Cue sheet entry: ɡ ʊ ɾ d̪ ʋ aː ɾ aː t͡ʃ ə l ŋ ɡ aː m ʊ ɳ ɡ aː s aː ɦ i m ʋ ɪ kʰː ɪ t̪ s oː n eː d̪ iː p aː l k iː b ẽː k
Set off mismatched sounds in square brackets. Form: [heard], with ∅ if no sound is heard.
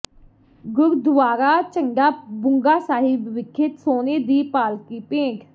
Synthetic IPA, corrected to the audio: ɡ ʊ ɾ d̪ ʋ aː ɾ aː t͡ʃ ə [∅] ŋ ɡ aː [b] ʊ [ŋ] ɡ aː s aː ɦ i [b] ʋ ɪ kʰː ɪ t̪ s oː n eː d̪ iː p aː l k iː [p] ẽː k